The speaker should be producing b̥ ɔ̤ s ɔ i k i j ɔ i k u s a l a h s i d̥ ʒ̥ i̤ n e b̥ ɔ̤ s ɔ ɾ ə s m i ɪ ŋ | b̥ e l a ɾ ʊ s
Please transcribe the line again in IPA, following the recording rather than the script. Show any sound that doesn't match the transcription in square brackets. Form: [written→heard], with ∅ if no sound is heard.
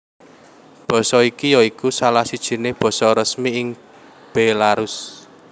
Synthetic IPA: b̥ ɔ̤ s ɔ i k i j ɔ i k u s a l a h s i d̥ ʒ̥ i̤ n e b̥ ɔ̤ s ɔ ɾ ə s m i ɪ ŋ | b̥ e l a ɾ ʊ s

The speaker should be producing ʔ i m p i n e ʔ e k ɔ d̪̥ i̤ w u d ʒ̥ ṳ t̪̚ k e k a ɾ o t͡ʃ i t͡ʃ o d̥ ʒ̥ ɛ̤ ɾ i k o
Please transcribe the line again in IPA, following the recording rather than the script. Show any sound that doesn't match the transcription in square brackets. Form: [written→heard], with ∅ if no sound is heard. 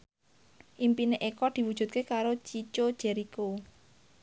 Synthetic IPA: ʔ i m p i n e ʔ e k ɔ d̪̥ i̤ w u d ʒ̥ ṳ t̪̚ k e k a ɾ o t͡ʃ i t͡ʃ o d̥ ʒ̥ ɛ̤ ɾ i k o

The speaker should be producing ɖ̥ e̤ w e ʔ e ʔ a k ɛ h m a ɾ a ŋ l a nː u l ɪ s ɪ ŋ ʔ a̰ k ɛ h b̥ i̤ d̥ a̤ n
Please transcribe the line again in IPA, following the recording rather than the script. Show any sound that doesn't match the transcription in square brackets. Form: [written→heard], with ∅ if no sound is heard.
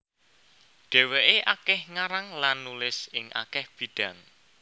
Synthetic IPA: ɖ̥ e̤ w e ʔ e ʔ a k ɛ h [m→ŋ] a ɾ a ŋ l a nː u l ɪ s ɪ ŋ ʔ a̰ k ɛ h b̥ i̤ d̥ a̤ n

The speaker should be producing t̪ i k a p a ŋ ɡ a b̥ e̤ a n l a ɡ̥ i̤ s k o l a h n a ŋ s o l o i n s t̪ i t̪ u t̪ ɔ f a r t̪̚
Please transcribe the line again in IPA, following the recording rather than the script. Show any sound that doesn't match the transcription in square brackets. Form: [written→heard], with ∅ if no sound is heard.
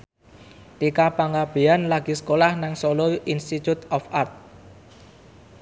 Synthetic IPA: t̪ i k a p a ŋ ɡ a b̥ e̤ a n l a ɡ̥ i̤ s k o l a h n a ŋ s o l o i n s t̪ i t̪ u t̪ ɔ f a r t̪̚

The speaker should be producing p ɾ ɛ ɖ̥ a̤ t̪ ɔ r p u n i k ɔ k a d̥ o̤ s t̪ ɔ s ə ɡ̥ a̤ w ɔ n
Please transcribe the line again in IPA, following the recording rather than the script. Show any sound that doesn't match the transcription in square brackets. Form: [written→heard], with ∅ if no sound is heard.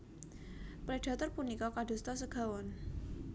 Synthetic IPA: p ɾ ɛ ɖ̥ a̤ t̪ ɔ r p u n i k ɔ k a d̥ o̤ s t̪ ɔ s ə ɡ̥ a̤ w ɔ n

